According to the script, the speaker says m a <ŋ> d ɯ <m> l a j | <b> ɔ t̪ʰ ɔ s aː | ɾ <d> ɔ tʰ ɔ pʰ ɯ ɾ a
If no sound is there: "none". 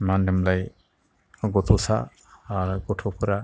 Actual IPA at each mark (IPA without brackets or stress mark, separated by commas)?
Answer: n, m, ɡ, ɡ